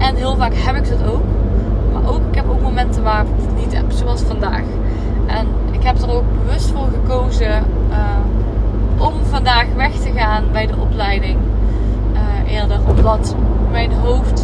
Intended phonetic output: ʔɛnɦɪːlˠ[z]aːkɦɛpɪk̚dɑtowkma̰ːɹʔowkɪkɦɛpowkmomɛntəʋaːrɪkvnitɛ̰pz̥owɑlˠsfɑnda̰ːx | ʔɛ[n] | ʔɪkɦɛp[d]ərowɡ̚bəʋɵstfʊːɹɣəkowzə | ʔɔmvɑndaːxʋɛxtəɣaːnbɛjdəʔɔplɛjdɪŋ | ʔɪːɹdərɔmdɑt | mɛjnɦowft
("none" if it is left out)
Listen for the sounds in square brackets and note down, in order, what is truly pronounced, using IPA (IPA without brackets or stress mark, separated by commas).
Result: v, n, d